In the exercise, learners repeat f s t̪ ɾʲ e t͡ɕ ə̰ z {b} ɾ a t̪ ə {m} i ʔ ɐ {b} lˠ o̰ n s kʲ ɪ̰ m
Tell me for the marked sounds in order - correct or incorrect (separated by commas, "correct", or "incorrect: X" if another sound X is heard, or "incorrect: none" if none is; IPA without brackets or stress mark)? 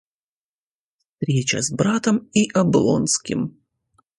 correct, correct, correct